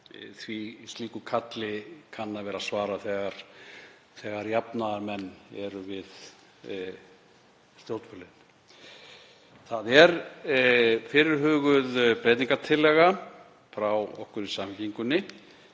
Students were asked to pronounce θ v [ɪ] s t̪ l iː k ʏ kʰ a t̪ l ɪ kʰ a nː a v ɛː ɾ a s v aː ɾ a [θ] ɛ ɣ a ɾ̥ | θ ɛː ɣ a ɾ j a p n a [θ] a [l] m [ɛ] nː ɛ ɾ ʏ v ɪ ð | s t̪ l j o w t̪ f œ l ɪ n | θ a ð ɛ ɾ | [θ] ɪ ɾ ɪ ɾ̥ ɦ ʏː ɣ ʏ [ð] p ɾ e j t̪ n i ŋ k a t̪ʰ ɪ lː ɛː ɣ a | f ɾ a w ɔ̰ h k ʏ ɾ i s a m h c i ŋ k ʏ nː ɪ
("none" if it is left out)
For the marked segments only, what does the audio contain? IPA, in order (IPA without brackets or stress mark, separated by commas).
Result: i, θ, ð, ɾ, ɛ, f, ð